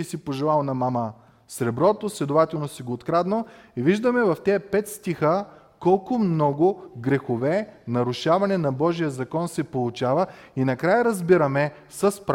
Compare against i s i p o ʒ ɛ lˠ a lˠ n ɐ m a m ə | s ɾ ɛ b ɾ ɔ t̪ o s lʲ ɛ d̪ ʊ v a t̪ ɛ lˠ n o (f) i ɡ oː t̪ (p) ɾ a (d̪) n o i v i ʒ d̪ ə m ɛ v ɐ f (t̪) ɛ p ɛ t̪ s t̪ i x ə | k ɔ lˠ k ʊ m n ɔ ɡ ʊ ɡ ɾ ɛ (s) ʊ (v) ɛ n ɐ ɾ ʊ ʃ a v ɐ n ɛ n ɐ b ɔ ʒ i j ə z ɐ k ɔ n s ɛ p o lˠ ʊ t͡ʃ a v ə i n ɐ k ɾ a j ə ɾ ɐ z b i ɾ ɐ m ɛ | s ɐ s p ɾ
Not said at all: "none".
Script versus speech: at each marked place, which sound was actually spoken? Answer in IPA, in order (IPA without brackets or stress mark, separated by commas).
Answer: s, k, d̪, t̪, x, v